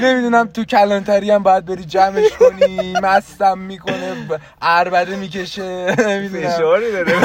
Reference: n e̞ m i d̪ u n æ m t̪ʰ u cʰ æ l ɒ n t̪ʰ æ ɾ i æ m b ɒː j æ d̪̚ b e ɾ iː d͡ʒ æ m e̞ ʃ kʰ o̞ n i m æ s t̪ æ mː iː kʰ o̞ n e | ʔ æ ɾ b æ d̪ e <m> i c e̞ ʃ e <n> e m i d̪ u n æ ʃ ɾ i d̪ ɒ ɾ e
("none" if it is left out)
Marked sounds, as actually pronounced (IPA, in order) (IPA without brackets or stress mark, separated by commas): m, n